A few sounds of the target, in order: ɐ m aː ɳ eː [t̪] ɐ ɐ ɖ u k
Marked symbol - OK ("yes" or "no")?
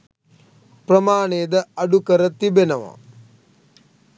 no